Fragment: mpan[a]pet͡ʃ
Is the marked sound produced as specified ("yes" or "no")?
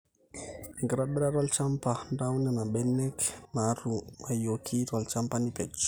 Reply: no